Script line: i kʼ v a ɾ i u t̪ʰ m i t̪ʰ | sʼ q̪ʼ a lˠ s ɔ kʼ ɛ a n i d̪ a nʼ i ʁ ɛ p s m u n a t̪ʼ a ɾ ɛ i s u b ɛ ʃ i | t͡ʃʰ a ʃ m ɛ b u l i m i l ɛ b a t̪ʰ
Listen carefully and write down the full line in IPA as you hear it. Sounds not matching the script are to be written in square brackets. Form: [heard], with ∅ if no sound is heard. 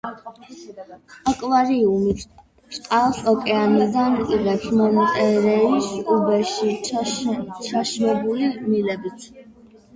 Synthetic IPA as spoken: [a] kʼ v a ɾ i u [∅] m i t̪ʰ | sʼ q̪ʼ a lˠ s ɔ kʼ ɛ a n i d̪ a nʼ i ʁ ɛ p s m [ɔ] n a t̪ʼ [ɛ] ɾ ɛ i s u b ɛ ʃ i | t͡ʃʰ a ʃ m ɛ b u l i m i l ɛ b [i] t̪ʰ